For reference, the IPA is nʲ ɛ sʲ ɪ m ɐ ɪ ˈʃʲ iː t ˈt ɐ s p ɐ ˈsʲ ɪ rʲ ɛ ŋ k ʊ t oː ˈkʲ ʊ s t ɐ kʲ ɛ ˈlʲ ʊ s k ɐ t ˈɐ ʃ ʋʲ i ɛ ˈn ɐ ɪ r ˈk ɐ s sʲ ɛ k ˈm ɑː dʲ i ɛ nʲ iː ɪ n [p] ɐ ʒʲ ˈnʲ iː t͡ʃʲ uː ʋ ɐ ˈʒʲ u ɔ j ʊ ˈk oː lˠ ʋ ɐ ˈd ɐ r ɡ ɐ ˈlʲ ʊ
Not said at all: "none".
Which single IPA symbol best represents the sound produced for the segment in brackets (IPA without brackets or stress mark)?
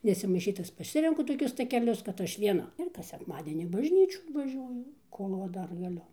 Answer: b